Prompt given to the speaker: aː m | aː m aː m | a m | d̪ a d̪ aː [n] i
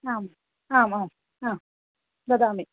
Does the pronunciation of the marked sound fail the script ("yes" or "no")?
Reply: yes